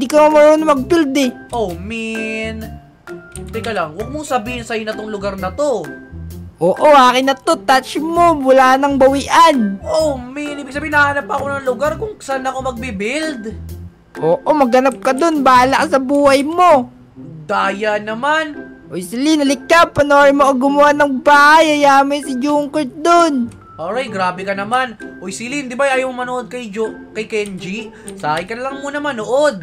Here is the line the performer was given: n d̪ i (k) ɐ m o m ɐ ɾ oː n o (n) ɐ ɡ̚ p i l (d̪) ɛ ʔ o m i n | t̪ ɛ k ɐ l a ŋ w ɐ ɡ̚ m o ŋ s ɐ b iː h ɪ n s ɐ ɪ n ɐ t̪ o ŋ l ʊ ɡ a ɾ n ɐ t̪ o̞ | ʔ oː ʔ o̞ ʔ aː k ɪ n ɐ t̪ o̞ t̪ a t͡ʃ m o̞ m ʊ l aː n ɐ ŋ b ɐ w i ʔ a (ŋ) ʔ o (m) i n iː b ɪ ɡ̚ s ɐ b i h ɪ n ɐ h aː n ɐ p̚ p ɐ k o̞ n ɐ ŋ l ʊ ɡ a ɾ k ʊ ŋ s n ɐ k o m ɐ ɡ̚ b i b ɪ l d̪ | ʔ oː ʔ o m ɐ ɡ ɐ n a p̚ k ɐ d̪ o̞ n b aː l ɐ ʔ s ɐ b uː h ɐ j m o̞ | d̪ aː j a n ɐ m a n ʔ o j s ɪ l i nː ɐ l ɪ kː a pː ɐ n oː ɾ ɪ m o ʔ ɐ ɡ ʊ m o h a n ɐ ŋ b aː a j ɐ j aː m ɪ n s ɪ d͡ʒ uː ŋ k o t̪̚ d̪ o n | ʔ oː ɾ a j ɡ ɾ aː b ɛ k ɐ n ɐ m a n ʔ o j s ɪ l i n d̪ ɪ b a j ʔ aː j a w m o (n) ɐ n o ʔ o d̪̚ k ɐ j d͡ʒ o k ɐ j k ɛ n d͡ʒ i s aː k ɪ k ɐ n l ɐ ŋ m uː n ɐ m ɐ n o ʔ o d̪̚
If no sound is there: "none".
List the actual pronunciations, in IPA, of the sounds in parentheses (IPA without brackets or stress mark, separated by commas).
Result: k, m, d̪, n, m, m